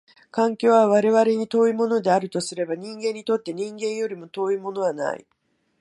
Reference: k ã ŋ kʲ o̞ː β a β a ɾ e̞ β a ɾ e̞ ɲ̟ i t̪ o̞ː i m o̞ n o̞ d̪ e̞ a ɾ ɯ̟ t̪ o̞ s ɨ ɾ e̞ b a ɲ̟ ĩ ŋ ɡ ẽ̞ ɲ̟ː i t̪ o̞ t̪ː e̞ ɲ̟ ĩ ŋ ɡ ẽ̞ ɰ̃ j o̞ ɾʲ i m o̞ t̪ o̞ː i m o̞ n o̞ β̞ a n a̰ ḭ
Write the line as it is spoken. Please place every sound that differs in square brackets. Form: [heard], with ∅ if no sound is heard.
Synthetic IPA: k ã ŋ kʲ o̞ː β a β a ɾ e̞ β a ɾ e̞ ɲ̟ i t̪ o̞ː i m o̞ n o̞ d̪ e̞ a ɾ ɯ̟ t̪ o̞ s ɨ ɾ e̞ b a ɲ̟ ĩ ŋ ɡ ẽ̞ ɲ̟ː i t̪ o̞ t̪ː e̞ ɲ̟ ĩ ŋ ɡ ẽ̞ ɰ̃ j o̞ ɾʲ i m o̞ t̪ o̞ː i m o̞ n o̞ β̞ a n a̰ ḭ